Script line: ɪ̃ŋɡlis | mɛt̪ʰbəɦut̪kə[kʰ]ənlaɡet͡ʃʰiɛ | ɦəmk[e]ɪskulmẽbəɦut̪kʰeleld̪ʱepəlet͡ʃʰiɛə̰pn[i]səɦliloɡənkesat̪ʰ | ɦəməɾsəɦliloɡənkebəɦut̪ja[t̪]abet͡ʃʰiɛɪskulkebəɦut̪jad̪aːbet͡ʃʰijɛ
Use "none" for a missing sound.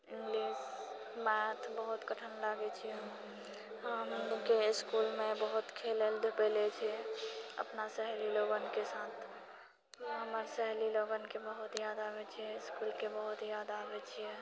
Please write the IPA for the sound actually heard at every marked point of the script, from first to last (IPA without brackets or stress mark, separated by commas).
ʈʰ, e, a, d̪